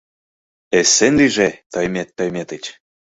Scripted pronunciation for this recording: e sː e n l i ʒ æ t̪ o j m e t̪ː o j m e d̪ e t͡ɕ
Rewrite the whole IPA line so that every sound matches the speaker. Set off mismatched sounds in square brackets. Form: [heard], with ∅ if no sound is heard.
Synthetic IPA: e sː e n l i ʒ [e] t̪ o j m e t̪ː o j m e [t̪] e t͡ɕ